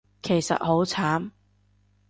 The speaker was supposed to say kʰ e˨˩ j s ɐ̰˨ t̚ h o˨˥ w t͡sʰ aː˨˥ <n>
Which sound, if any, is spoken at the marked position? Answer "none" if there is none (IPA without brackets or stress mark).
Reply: m